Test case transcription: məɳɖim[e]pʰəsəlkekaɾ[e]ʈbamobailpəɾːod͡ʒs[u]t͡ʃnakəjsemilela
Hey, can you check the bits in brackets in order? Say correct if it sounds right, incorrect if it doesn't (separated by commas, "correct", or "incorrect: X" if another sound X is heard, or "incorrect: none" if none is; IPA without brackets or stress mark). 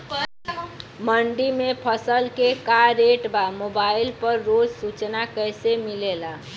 correct, correct, correct